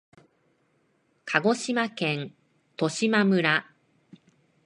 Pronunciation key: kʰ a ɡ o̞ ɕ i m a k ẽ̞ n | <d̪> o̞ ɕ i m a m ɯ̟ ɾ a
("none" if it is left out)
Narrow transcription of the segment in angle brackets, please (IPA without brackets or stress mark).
t̪